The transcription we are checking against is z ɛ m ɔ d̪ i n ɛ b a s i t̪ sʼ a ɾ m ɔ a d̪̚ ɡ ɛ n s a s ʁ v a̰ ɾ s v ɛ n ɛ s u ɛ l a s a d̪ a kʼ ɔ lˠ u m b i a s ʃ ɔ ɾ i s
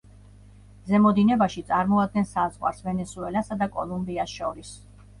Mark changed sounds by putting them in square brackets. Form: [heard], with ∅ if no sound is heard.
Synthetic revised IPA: z ɛ m ɔ d̪ i n ɛ b a [ʃ] i t̪ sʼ a ɾ m ɔ a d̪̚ ɡ ɛ n s a [z] ʁ [w] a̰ ɾ s v ɛ n ɛ s u ɛ l a s a d̪ a kʼ ɔ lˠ u m b i a s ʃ ɔ ɾ i s